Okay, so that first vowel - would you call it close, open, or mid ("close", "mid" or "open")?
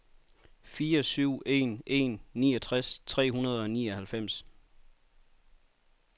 close